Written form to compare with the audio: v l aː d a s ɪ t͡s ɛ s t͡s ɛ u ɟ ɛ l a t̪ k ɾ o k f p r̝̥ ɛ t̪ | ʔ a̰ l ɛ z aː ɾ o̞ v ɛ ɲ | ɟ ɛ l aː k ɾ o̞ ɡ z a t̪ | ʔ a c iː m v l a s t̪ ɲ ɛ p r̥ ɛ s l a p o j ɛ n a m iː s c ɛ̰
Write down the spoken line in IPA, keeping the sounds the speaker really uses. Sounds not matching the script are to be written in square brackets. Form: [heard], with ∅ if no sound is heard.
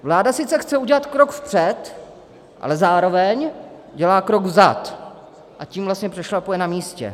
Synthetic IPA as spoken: v l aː d a s ɪ t͡s ɛ [x] t͡s ɛ u ɟ ɛ l a t̪ k ɾ o k f p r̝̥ ɛ t̪ | ʔ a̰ l ɛ z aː ɾ o̞ v ɛ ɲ | ɟ ɛ l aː k ɾ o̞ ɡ z a t̪ | ʔ a c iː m v l a s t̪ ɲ ɛ p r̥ ɛ [ʃ] l a p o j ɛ n a m iː s c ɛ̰